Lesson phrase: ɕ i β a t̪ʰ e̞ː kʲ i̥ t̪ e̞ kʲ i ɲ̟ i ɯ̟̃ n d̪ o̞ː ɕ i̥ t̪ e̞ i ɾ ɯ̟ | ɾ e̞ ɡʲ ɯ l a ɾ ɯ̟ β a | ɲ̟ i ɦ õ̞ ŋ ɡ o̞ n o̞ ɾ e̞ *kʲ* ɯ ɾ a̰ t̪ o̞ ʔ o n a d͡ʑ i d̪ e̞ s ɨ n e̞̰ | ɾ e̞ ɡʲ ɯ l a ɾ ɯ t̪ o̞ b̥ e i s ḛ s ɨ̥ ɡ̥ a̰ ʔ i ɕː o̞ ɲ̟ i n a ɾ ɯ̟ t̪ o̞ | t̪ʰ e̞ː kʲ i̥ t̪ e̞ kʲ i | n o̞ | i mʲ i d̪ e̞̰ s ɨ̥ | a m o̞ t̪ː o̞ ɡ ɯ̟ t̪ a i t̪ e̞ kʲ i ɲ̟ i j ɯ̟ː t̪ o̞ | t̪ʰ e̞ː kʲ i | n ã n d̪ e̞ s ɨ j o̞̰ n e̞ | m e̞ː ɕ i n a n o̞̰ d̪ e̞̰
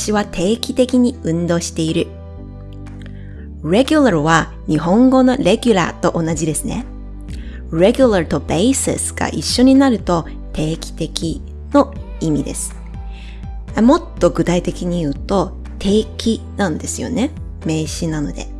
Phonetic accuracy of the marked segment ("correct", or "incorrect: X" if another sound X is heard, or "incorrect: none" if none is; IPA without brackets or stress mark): incorrect: ɡʲ